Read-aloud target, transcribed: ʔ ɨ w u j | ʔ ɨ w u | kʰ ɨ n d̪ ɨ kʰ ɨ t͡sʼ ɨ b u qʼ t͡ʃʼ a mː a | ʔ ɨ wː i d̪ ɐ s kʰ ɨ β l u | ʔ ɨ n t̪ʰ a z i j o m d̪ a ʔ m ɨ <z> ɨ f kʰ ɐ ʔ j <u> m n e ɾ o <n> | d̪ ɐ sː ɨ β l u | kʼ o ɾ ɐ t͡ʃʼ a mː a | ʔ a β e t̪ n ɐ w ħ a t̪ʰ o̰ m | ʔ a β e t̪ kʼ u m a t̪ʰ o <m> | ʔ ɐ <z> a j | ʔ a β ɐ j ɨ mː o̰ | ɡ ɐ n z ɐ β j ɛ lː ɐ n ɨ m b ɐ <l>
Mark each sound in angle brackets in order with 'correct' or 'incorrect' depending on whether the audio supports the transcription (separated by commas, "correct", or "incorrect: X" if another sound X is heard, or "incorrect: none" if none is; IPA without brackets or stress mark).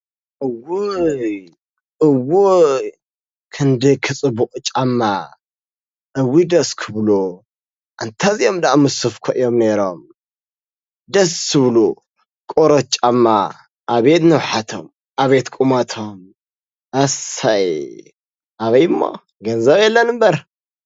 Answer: incorrect: s, incorrect: o, incorrect: m, correct, incorrect: s, incorrect: ɾ